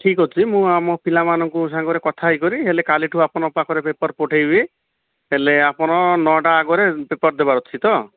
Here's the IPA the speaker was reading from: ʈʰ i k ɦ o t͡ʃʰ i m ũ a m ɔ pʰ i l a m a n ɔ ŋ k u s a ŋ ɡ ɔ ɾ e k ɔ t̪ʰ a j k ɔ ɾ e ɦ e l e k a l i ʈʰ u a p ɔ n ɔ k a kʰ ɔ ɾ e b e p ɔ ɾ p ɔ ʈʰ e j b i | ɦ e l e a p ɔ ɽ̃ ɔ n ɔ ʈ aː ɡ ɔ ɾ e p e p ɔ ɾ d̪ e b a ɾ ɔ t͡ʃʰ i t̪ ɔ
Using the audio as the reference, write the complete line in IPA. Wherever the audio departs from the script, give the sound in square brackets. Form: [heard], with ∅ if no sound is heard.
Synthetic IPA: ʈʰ i k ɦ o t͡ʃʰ i m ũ a m ɔ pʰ i l a m a n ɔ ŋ k u s a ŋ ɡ ɔ ɾ e k ɔ t̪ʰ a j k ɔ ɾ [i] ɦ e l e k a l i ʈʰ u a p ɔ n ɔ [p] a kʰ ɔ ɾ e [p] e p ɔ ɾ p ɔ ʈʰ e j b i | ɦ e l e a p ɔ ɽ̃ ɔ n ɔ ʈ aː ɡ ɔ ɾ e p e p ɔ ɾ d̪ e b a ɾ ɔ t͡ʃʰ i t̪ ɔ

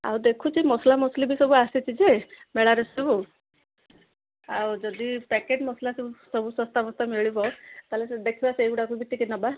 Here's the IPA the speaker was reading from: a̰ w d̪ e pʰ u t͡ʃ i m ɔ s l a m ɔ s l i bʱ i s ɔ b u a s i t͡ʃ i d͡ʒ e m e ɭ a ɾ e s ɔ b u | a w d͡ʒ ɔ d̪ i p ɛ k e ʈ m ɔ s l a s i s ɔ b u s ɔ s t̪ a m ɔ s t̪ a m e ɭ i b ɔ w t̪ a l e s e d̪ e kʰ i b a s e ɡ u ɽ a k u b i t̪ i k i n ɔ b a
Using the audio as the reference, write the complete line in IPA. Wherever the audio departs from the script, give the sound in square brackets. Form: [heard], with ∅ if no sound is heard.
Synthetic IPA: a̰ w d̪ e [kʰ] u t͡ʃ i m ɔ s l a m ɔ s l i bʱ i s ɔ b u a s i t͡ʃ i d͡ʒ e m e ɭ a ɾ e s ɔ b u | a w d͡ʒ ɔ d̪ i p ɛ k e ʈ m ɔ s l a s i s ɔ b u s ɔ s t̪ a m ɔ s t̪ a m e ɭ i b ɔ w t̪ a l e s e d̪ e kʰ i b a s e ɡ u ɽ a k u b i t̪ i k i n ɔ b a

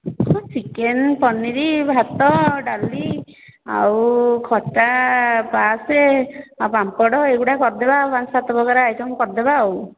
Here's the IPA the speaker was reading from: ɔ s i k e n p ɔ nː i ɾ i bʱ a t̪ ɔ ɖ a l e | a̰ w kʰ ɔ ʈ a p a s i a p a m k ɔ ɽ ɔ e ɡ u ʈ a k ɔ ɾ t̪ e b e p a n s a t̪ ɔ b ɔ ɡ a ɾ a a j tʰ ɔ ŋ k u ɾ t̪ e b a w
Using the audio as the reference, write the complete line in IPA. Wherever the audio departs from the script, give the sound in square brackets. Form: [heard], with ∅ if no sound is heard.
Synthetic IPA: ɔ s i k e n p ɔ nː i ɾ i bʱ a t̪ ɔ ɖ a l [i] | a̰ w kʰ ɔ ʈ a p a s [e] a p a m k ɔ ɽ ɔ e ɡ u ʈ a k ɔ ɾ [d̪] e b [a] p a n s a t̪ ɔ b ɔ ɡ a ɾ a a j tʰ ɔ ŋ k [ɔ] ɾ [d̪] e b a w

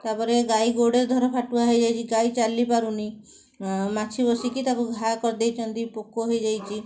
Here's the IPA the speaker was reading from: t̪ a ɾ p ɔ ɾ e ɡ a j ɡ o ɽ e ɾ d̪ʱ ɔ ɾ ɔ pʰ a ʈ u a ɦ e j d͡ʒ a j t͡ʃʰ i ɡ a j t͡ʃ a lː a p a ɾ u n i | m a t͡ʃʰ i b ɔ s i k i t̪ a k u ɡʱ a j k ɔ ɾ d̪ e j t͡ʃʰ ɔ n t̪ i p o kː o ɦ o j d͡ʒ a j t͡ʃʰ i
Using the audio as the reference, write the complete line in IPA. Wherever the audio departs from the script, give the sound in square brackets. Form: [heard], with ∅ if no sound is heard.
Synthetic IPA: t̪ a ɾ p ɔ ɾ e ɡ a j ɡ o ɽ e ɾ d̪ʱ ɔ ɾ ɔ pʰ a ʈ u a ɦ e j d͡ʒ a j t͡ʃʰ i ɡ a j t͡ʃ a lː [i] p a ɾ u n i | m a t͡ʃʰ i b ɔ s i k i t̪ a k u ɡʱ a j k ɔ ɾ d̪ e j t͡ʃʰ ɔ n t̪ i p o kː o ɦ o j d͡ʒ a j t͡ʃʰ i

